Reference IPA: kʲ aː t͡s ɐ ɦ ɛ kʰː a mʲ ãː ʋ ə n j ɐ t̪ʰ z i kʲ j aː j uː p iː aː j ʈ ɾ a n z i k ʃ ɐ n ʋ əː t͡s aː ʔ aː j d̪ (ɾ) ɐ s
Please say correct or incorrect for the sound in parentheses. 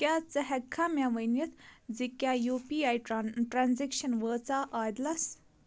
incorrect